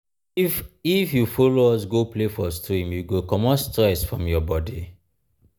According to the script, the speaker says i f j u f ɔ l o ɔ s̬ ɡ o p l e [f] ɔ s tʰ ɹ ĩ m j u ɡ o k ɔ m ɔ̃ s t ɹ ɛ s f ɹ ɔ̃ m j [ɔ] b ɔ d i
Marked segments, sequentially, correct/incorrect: correct, correct

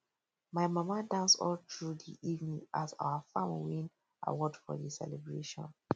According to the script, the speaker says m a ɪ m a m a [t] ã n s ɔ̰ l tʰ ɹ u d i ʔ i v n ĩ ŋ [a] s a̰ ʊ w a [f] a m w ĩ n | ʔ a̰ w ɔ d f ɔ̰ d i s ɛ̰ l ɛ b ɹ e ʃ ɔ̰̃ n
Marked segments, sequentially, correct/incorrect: incorrect: d, correct, correct

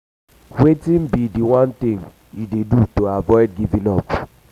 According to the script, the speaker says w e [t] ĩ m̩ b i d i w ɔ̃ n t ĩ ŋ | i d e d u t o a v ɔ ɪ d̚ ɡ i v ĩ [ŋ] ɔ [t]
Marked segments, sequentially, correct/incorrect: correct, incorrect: n, incorrect: p

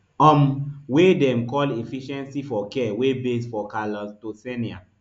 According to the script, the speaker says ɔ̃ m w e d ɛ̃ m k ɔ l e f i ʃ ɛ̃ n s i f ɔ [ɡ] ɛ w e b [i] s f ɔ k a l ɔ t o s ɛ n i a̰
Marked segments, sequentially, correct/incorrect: incorrect: k, incorrect: e

